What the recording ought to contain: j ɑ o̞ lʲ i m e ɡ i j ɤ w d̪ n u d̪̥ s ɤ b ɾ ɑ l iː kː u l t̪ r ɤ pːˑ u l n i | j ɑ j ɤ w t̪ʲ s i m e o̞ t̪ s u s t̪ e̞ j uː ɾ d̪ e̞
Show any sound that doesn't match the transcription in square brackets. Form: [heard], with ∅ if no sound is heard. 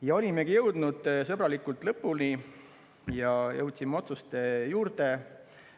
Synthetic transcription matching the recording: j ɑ o̞ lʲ i m e ɡ i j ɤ w d̪ n u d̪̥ s ɤ b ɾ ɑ l [i] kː u l t̪ [l] ɤ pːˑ u l n i | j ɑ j ɤ w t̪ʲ s i m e o̞ t̪ s u s t̪ e̞ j uː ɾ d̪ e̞